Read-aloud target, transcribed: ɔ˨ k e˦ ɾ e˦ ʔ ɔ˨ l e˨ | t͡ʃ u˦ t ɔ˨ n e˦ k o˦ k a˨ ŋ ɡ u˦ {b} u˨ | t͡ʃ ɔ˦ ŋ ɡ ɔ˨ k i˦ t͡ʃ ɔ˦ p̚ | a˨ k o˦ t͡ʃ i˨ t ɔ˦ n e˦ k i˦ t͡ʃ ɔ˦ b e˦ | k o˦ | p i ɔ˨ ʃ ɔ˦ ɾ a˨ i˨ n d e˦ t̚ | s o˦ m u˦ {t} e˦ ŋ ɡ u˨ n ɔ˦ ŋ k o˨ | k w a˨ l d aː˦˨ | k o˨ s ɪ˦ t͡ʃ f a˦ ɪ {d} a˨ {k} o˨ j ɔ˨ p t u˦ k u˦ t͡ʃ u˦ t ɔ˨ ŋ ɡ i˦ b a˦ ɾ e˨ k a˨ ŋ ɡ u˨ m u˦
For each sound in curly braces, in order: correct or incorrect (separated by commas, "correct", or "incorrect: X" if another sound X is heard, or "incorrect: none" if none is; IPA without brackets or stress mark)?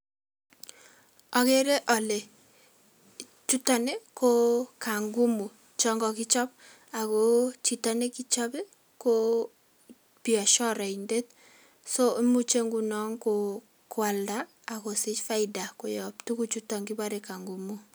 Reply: incorrect: m, incorrect: t͡ʃ, correct, correct